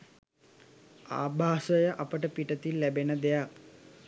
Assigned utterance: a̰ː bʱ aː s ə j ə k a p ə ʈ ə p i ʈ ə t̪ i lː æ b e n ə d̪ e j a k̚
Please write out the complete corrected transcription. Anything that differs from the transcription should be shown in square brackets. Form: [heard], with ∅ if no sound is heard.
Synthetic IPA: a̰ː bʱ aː s ə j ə [ʔ] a p ə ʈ ə p i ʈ ə t̪ i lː æ b e n ə d̪ e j a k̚